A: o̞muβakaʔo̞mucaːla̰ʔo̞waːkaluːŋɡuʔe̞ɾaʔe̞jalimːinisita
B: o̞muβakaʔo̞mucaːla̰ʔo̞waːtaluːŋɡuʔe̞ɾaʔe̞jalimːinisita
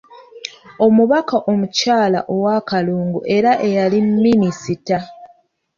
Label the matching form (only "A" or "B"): A